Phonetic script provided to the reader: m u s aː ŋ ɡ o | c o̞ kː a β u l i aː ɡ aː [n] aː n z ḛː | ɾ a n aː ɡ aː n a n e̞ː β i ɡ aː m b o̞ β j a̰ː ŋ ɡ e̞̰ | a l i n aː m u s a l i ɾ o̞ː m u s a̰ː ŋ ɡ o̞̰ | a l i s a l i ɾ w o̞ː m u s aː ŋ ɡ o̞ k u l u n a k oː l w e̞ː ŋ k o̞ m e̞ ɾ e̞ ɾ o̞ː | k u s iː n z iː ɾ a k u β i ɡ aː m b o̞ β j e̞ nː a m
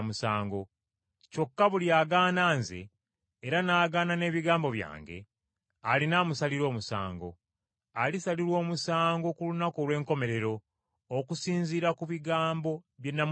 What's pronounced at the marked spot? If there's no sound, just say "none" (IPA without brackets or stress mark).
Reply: n